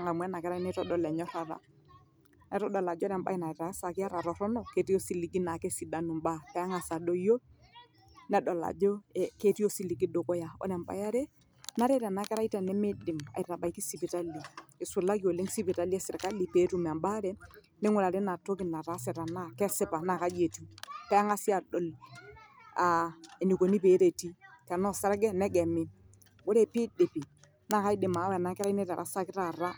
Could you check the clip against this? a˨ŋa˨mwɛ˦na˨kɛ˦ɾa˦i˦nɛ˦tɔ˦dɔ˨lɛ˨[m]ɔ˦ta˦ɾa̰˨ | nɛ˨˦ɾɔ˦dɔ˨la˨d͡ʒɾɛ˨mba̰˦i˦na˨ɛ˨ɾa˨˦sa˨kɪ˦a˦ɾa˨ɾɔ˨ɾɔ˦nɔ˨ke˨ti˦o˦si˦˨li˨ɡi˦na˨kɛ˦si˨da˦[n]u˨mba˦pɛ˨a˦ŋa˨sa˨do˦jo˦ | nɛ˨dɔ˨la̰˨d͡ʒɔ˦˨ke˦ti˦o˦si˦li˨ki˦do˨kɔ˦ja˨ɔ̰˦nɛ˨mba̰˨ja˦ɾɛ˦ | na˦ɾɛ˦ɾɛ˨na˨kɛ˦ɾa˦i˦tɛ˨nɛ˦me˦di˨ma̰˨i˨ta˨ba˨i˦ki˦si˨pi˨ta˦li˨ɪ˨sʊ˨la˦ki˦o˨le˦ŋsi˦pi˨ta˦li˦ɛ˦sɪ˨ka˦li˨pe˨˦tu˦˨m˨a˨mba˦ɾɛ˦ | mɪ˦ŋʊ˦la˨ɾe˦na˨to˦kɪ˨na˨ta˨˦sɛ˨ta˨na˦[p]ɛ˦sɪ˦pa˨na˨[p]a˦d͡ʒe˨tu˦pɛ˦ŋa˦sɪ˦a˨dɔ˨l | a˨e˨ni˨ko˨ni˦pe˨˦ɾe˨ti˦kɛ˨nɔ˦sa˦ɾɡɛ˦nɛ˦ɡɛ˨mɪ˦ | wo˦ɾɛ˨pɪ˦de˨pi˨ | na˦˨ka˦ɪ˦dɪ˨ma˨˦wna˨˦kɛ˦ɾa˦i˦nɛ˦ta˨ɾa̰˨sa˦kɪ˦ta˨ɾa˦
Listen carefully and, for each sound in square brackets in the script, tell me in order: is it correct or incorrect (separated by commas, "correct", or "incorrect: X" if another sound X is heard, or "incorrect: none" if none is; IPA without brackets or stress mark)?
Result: incorrect: ɲ, correct, incorrect: k, incorrect: k